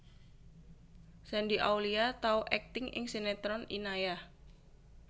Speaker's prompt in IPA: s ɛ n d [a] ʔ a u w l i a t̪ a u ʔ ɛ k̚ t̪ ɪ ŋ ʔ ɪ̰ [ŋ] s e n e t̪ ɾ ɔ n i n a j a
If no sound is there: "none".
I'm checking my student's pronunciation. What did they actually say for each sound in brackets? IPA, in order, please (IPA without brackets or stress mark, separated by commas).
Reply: i, ŋ